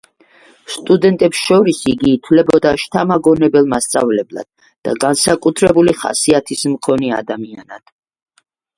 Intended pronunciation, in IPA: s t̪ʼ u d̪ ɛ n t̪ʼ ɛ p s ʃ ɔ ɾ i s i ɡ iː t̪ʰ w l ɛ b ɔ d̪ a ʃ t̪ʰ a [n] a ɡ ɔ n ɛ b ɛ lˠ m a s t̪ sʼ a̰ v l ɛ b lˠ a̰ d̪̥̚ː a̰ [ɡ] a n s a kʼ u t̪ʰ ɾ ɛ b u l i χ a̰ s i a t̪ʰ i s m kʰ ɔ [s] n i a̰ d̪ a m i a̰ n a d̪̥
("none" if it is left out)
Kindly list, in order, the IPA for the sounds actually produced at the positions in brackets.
m, ɡ, none

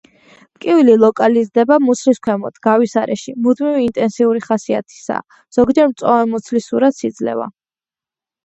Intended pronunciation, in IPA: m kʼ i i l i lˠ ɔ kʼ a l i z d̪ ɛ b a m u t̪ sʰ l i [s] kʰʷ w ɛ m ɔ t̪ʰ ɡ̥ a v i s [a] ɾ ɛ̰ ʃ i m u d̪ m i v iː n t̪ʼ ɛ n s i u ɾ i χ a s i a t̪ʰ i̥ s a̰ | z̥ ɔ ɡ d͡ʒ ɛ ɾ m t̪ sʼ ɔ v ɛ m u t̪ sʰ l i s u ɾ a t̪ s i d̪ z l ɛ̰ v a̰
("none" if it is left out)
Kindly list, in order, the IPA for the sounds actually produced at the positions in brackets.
s, a

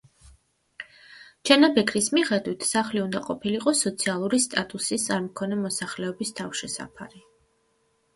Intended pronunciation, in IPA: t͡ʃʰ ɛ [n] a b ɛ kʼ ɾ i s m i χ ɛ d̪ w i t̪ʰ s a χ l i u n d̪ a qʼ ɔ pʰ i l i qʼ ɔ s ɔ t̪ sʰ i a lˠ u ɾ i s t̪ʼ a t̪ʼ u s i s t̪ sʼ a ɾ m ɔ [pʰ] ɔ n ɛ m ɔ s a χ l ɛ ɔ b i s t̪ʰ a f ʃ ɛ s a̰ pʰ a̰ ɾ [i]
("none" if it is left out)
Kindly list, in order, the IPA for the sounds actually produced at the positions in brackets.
n, kʰ, i

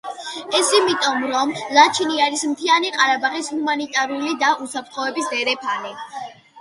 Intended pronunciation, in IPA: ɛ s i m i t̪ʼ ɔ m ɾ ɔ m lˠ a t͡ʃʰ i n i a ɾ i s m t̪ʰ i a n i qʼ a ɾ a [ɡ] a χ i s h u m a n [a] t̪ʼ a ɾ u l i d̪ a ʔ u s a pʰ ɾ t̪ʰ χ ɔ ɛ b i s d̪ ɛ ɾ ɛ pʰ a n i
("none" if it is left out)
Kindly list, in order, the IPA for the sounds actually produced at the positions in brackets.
b, i

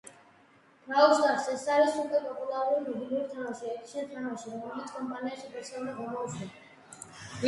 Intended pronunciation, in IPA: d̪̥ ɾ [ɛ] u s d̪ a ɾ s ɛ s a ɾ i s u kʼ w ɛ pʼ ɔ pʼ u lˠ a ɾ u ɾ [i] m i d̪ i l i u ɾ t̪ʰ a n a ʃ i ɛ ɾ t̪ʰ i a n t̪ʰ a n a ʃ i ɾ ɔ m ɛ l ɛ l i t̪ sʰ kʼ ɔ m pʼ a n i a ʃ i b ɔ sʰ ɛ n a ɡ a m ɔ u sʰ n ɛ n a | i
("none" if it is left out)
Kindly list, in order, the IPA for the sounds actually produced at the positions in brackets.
a, i

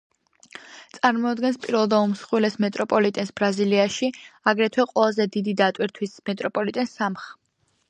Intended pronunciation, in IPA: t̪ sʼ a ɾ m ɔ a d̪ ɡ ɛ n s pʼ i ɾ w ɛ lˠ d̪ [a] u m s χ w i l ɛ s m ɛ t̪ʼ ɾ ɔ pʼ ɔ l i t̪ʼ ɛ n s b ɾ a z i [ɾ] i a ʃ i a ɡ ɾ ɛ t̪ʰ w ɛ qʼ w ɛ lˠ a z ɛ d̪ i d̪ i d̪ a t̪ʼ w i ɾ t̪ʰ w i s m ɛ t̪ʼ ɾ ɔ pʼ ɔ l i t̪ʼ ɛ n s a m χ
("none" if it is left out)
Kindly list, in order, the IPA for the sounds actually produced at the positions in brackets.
a, l

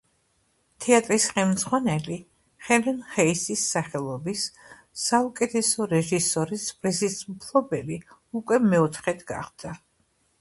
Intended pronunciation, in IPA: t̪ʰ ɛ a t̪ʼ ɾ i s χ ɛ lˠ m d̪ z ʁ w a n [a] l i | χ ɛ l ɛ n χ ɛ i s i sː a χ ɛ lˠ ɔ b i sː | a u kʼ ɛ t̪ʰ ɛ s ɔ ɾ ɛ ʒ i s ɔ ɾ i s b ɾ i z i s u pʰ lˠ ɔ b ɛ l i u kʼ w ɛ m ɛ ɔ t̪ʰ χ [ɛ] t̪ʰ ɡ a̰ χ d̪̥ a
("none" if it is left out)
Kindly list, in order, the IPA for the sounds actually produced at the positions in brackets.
ɛ, ɛ

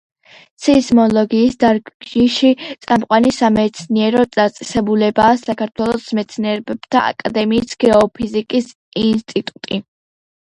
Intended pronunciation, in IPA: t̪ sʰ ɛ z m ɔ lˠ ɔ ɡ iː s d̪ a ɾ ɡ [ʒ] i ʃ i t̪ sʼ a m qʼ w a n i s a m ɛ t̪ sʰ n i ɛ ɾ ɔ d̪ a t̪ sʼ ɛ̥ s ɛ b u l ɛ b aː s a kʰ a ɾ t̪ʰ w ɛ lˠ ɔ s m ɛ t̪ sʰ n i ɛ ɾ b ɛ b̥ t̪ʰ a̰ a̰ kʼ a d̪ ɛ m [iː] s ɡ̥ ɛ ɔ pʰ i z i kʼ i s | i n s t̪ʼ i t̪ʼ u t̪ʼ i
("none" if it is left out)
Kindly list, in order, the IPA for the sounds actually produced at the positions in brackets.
ʒ, iː

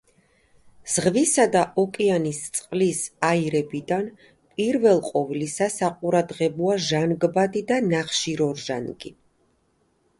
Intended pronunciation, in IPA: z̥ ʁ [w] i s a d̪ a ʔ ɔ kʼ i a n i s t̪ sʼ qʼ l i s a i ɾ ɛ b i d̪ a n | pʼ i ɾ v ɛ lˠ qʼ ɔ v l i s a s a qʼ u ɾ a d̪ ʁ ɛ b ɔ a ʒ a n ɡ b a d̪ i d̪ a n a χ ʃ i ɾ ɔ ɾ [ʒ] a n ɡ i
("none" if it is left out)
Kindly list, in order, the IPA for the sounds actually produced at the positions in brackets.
v, ʒ

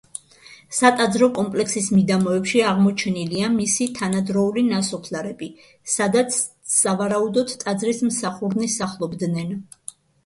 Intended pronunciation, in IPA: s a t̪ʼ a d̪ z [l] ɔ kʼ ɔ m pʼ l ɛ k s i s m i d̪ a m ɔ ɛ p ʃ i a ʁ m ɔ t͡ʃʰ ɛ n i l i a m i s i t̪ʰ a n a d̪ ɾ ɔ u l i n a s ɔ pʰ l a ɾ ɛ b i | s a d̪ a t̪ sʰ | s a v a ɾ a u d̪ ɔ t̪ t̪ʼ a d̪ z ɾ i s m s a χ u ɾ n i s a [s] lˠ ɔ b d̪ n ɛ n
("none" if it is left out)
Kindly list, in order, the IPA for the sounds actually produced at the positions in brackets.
ɾ, χ

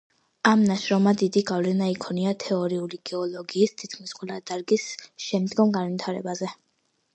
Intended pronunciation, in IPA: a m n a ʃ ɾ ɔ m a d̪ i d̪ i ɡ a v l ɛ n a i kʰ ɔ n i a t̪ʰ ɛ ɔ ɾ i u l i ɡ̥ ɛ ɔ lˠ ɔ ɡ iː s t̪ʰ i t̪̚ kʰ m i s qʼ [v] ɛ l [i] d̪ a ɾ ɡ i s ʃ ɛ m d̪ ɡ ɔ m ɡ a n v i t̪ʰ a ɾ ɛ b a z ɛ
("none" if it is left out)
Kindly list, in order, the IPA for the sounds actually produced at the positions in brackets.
w, a

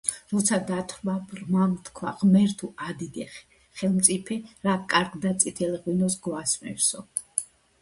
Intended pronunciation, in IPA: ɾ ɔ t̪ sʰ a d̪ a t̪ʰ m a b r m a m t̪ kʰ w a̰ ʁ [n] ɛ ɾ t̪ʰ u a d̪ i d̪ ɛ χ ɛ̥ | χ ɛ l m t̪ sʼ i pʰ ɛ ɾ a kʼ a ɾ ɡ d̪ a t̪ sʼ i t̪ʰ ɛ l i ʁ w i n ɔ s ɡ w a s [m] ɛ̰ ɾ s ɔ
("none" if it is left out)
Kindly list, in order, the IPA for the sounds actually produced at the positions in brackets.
m, m

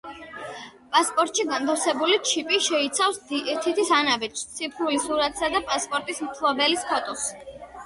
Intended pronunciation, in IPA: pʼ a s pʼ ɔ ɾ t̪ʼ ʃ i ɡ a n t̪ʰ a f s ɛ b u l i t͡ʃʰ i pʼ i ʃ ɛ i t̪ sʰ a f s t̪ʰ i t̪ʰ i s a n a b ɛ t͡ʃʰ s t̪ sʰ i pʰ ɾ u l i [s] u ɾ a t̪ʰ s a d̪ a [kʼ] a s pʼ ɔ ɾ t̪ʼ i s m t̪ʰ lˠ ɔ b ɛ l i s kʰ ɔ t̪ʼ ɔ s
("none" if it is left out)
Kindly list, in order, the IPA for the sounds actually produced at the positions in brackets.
s, pʼ

